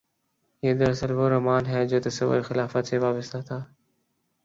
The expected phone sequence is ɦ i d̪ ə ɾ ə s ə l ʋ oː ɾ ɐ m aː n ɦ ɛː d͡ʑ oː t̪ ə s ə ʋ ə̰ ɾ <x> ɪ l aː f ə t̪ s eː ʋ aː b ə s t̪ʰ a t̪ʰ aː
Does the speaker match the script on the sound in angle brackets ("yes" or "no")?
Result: yes